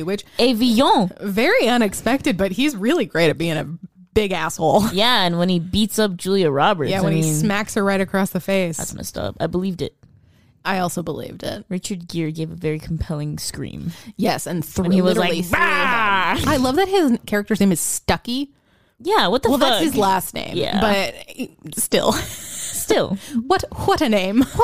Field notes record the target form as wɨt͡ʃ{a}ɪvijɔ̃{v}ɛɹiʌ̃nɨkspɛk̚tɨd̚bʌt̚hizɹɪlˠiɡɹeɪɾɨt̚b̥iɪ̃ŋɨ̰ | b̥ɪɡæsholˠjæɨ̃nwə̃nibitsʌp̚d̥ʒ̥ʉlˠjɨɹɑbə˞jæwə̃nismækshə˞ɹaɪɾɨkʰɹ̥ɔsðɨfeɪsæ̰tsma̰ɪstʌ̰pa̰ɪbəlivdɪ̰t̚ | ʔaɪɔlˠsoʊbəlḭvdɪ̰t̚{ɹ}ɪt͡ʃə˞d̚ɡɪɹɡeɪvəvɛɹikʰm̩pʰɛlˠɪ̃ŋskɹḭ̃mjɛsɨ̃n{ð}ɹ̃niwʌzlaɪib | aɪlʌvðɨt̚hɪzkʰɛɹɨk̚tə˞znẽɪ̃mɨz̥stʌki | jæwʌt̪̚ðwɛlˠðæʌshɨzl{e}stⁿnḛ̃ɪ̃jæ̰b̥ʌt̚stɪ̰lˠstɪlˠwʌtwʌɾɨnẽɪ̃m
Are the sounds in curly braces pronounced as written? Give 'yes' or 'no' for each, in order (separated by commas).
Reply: no, yes, yes, no, no